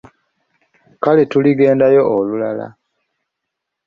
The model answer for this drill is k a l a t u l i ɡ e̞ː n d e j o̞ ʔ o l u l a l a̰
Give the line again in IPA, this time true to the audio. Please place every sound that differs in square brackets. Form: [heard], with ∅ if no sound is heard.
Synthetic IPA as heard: k a l [e] t u l i ɡ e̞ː n d [a] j o̞ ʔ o l u l a l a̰